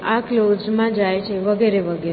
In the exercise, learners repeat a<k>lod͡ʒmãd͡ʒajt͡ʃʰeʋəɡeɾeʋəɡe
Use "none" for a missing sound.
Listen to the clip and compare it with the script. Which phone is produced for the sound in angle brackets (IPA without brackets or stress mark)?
k